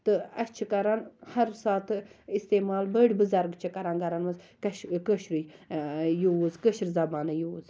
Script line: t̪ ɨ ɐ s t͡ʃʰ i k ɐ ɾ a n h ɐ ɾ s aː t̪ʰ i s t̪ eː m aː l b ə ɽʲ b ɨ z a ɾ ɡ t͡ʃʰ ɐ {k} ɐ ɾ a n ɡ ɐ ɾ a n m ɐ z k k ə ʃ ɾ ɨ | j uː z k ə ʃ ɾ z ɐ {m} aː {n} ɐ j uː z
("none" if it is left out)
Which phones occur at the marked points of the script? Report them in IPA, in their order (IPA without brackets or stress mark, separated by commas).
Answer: k, b, n